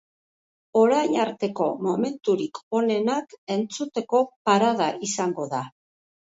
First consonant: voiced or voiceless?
voiced